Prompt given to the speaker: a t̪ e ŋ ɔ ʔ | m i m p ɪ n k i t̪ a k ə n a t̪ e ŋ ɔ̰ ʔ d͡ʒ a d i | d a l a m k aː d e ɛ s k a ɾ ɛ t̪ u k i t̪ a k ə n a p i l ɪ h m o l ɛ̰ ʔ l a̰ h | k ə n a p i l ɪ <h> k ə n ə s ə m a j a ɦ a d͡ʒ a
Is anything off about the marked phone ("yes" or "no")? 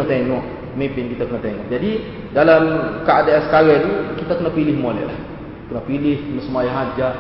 no